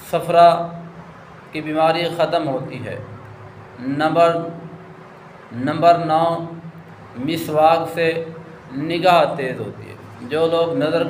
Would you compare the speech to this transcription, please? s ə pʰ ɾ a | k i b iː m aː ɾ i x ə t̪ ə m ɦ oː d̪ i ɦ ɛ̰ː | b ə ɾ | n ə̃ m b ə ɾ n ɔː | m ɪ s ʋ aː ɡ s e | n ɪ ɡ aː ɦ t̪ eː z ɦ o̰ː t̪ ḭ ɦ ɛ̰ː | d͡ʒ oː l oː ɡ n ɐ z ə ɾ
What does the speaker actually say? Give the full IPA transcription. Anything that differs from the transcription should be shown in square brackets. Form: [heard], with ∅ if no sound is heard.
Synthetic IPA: s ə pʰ ɾ a | k i b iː m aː ɾ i x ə t̪ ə m ɦ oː [t̪] i ɦ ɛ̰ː | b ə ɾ | n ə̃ m b ə ɾ n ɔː | m ɪ s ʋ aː ɡ s e | n ɪ ɡ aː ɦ t̪ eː z ɦ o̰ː t̪ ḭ ɦ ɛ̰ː | d͡ʒ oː l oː ɡ n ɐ z ə ɾ